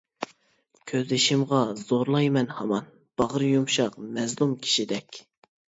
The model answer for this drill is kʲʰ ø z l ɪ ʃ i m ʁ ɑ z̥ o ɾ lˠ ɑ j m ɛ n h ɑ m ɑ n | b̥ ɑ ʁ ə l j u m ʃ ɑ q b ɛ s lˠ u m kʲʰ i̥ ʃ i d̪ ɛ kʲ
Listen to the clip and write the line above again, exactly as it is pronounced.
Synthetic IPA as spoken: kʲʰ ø z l ɪ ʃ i m ʁ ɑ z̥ o ɾ lˠ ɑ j m ɛ n h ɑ m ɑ n | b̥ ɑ ʁ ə ɾ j u m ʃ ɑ q m ɛ z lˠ u m kʲʰ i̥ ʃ i d̪ ɛ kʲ